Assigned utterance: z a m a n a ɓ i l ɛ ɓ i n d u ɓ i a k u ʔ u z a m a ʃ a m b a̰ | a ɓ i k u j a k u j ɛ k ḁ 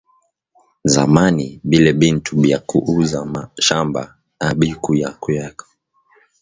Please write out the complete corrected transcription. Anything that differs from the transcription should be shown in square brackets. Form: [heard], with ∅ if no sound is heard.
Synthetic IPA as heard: z a m a n [i] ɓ i l ɛ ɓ i n [t] u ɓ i a k u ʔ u z a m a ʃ a m b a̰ | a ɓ i k u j a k u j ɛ k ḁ